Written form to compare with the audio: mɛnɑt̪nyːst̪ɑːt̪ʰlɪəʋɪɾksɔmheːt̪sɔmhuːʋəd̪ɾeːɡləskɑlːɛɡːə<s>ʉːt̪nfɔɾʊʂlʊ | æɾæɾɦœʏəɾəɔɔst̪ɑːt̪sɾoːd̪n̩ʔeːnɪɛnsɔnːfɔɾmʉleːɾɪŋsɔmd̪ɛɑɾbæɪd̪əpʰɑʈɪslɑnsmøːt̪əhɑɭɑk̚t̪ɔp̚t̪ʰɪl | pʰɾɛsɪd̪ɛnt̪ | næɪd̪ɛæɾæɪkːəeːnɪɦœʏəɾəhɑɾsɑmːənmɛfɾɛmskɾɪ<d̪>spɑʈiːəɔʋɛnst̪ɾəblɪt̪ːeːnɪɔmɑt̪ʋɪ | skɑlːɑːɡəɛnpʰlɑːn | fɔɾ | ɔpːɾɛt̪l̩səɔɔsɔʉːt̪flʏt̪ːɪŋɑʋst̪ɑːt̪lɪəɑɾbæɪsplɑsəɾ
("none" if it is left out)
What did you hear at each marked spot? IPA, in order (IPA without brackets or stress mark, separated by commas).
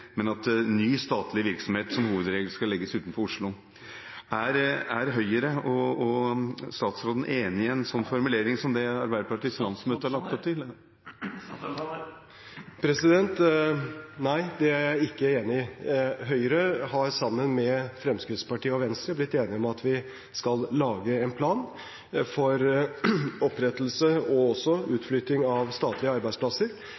s, t̪